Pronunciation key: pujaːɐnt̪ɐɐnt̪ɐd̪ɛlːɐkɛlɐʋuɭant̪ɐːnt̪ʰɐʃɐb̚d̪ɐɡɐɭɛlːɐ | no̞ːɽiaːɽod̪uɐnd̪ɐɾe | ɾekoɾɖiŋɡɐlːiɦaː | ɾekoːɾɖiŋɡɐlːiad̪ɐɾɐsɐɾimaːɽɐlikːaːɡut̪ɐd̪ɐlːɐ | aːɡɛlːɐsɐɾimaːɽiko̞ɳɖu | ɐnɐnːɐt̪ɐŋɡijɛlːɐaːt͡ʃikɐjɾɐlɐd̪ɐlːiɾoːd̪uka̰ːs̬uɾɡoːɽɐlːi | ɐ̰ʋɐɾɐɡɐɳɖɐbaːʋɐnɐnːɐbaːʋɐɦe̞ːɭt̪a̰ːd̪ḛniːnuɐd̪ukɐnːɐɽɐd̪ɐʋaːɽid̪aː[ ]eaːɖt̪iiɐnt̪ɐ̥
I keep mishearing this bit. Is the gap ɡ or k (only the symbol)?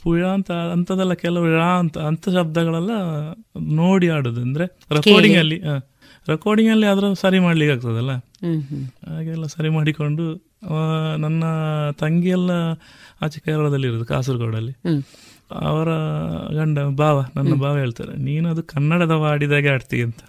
ɡ